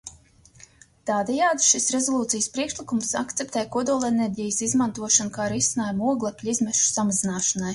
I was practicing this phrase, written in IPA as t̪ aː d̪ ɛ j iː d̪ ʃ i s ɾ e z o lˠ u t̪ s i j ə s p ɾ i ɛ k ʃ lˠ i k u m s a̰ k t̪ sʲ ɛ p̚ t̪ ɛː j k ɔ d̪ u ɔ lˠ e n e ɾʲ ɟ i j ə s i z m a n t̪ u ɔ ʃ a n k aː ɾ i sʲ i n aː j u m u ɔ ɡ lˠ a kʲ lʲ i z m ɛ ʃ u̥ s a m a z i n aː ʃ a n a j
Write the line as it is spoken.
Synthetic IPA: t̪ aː d̪ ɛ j aː d̪ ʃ i s ɾ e z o lˠ uː t̪ s i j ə s p ɾ i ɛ k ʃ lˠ i k u m s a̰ k t̪ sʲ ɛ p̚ t̪ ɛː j k ɔ d̪ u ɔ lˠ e n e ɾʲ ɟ i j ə s i z m a n t̪ u ɔ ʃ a n k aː ɾ i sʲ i n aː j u m u ɔ ɡ lˠ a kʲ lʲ i z m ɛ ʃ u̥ s a m a z i n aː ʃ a n a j